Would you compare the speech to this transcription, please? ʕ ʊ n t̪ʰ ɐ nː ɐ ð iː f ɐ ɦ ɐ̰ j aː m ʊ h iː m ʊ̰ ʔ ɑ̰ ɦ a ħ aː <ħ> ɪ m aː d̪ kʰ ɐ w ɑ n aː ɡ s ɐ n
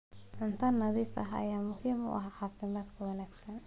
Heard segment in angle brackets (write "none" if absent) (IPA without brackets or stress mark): f